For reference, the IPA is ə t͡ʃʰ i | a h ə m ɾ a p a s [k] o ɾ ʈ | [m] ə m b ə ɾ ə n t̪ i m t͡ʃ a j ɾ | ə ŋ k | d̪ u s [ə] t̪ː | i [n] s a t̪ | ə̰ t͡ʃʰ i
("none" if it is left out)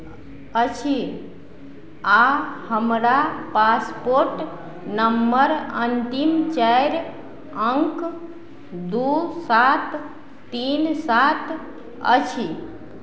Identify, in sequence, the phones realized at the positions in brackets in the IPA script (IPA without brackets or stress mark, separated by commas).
p, n, a, n